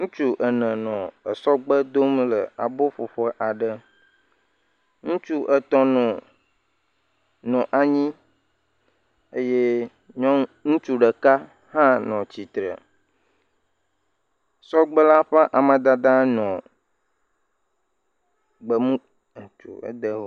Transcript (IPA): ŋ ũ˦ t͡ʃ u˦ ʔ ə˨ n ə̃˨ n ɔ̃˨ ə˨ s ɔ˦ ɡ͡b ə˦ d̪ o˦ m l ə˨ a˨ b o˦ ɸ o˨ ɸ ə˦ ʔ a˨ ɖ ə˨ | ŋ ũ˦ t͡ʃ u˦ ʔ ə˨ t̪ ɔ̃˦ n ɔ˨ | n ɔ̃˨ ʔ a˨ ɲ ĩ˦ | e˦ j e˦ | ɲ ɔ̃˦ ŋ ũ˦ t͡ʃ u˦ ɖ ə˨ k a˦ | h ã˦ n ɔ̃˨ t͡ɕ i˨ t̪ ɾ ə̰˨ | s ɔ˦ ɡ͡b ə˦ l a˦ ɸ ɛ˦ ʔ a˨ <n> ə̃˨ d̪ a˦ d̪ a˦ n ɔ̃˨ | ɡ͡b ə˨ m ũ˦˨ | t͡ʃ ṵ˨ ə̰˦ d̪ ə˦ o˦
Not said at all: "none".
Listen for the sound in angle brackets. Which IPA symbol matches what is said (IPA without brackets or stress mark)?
m